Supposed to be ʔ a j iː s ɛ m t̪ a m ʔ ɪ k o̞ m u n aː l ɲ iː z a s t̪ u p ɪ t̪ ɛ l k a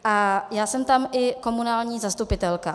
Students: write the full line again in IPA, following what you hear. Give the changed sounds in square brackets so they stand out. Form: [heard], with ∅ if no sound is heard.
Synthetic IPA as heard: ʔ a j [aː] s ɛ m t̪ a m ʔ ɪ k o̞ m u n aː l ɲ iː z a s t̪ u p ɪ t̪ ɛ l k a